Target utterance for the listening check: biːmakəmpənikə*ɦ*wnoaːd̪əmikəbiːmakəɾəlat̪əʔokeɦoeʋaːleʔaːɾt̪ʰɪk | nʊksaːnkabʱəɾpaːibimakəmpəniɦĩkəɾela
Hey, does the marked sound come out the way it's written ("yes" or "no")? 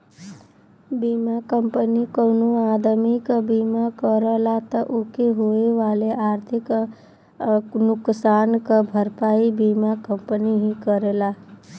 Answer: no